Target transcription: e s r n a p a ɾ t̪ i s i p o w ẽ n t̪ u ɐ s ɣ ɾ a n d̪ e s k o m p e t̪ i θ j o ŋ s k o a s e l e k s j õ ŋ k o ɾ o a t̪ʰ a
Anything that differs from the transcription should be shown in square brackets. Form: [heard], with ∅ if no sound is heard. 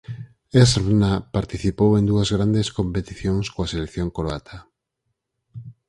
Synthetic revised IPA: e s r n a p a ɾ t̪ i [θ] i p o w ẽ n [d̪] u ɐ [z] ɣ ɾ a n d̪ e s k o m p e t̪ i θ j o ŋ s k o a s e l e k [θ] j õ ŋ k o ɾ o a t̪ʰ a